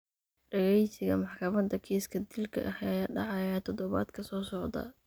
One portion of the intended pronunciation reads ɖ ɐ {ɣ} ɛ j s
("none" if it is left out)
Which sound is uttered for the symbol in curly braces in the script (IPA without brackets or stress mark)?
ɣ